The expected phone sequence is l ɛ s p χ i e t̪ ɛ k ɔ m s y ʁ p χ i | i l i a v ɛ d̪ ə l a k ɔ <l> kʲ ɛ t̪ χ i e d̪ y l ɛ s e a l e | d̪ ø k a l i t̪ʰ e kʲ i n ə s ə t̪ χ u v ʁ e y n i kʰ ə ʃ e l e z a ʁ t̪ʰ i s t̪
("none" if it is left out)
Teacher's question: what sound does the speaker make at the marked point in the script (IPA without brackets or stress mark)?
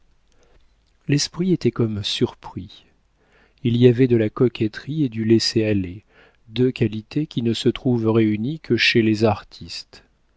none